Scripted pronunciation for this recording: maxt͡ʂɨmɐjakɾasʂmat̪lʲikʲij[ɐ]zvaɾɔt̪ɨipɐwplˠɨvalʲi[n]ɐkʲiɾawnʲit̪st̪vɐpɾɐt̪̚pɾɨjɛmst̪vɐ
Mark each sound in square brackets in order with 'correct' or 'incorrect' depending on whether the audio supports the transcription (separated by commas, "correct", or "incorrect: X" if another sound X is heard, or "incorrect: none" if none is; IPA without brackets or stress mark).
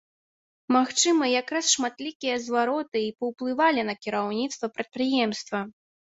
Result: correct, correct